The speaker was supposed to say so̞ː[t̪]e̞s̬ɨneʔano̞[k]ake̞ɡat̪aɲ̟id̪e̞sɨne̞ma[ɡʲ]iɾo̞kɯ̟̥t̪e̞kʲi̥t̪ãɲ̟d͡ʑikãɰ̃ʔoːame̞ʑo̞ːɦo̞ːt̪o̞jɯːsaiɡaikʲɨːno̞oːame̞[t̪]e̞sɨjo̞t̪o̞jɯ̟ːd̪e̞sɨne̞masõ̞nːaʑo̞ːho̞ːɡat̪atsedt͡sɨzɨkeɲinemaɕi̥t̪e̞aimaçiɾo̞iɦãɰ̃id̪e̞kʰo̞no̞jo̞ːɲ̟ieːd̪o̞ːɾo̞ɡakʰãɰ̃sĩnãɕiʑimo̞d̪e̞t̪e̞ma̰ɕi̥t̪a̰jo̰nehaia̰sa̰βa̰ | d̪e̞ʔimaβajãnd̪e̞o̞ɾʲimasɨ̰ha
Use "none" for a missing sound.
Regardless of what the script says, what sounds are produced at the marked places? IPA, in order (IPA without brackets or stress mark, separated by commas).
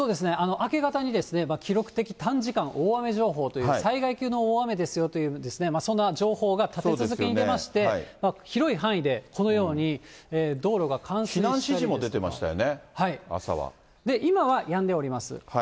d̪, ʔ, kʲ, d̪